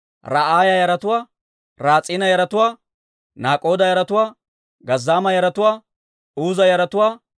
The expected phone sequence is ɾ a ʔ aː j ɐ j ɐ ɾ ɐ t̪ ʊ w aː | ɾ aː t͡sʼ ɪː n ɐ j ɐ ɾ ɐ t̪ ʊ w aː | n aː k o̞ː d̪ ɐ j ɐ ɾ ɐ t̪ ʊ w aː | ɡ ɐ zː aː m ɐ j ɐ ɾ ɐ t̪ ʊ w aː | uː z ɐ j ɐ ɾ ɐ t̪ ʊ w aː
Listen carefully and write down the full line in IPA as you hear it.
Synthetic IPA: ɾ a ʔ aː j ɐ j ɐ ɾ ɐ t̪ ʊ w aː | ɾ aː t͡sʼ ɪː n ɐ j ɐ ɾ ɐ t̪ ʊ w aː | n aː kʼ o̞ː d̪ ɐ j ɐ ɾ ɐ t̪ ʊ w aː | ɡ ɐ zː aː m ɐ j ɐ ɾ ɐ t̪ ʊ w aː | uː z ɐ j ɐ ɾ ɐ t̪ ʊ w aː